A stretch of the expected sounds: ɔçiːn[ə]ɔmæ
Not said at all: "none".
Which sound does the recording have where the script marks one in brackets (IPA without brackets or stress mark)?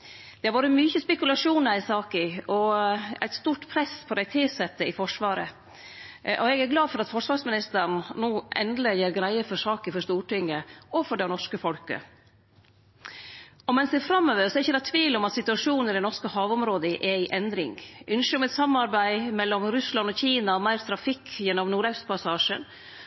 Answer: ɑ